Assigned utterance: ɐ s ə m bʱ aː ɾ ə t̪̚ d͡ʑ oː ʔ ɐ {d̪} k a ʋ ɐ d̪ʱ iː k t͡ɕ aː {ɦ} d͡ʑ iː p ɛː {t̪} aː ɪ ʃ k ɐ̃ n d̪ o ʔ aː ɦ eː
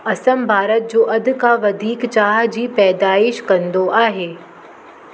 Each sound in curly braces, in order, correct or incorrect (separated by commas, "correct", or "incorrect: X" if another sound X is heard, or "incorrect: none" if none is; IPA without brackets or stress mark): correct, correct, incorrect: d̪